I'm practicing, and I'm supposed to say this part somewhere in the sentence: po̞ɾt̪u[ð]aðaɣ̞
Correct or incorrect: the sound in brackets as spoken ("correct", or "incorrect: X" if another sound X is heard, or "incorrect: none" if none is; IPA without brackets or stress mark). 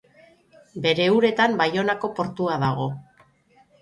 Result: incorrect: none